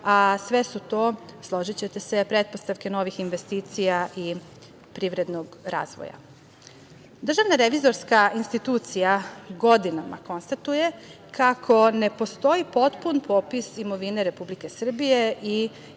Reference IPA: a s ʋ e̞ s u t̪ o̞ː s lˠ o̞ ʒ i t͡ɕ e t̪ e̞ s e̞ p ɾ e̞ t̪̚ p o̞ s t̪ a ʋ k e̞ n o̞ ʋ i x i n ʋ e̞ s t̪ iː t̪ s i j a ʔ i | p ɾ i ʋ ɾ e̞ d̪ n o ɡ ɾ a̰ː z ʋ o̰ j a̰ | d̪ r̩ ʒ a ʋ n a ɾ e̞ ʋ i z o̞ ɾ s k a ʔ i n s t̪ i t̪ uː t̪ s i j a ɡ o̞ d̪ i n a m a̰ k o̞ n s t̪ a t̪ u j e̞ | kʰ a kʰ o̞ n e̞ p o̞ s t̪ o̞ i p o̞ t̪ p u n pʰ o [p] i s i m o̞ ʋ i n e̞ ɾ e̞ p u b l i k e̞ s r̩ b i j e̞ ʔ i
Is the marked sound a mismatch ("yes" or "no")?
no